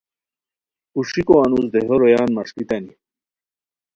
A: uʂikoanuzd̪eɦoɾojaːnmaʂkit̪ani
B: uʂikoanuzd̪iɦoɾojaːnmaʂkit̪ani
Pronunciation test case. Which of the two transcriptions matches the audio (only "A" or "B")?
A